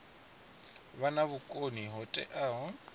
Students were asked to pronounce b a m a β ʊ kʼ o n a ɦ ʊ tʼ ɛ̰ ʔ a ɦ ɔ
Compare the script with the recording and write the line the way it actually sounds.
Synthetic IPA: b a n a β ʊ kʼ o n i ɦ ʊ tʼ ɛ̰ ʔ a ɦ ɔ